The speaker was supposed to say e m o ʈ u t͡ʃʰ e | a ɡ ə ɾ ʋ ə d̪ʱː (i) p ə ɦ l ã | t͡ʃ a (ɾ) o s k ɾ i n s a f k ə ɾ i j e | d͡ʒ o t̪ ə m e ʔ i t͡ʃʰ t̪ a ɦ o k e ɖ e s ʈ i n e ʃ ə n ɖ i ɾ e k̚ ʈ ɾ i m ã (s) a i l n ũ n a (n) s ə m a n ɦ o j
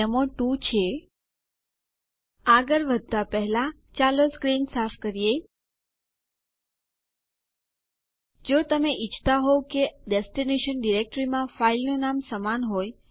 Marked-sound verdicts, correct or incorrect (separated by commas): incorrect, incorrect, incorrect, incorrect